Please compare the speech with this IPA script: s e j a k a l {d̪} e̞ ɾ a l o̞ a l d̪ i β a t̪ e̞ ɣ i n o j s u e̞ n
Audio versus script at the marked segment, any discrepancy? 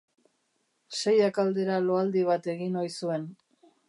no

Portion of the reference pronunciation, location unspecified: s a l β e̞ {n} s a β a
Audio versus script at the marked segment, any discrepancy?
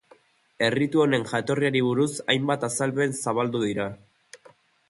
no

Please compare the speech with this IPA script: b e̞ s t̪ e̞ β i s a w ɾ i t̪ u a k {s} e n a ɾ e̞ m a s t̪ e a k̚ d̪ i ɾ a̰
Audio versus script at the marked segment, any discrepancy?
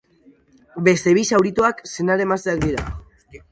no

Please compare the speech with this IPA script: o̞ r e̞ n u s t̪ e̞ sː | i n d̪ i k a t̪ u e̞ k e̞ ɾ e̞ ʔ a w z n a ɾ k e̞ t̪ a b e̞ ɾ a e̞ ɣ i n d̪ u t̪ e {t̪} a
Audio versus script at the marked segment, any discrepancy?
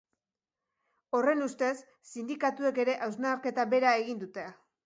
yes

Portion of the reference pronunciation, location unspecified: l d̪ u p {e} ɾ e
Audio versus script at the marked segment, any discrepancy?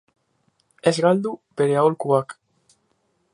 no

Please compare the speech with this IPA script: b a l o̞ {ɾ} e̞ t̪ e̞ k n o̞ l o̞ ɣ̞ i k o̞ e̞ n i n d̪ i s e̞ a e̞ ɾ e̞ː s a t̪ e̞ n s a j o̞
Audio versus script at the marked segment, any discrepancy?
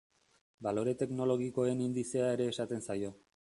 no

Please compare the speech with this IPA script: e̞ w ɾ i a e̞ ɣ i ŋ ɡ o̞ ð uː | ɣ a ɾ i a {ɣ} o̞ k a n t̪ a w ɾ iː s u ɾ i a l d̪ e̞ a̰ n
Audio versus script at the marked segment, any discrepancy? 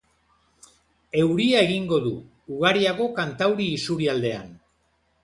no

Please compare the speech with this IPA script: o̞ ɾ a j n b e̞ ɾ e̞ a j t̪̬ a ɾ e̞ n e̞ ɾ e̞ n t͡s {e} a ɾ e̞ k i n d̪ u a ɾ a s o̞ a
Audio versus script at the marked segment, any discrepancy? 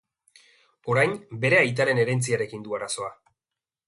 yes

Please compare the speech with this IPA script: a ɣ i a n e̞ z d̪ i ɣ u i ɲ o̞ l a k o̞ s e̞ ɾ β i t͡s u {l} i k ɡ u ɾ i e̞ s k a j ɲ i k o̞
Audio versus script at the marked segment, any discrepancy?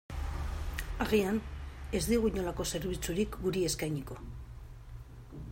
yes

